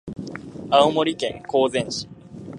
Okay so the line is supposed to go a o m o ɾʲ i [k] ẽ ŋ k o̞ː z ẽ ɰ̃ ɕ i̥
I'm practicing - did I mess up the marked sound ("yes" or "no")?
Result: no